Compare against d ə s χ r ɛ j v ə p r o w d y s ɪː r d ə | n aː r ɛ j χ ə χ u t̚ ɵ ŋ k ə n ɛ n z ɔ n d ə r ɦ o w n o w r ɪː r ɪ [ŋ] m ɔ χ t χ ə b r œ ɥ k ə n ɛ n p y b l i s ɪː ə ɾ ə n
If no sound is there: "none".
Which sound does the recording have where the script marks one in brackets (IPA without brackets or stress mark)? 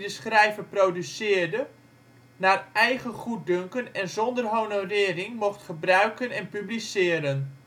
ŋ